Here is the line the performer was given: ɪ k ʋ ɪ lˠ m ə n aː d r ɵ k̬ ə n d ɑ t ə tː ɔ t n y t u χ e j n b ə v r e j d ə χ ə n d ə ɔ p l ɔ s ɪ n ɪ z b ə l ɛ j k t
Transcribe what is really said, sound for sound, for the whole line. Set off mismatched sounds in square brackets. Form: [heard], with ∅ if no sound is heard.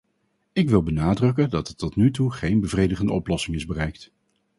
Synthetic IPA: ɪ k ʋ ɪ lˠ [b] ə n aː d r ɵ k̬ ə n d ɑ t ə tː ɔ t n y t u χ e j n b ə v r e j d ə χ ə n d ə ɔ p l ɔ s ɪ [ŋ] ɪ z b ə [r] ɛ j k t